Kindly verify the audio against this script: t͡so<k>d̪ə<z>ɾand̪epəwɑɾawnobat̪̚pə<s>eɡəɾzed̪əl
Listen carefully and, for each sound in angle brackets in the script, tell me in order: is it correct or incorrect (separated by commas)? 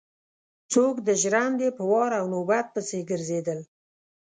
correct, incorrect, correct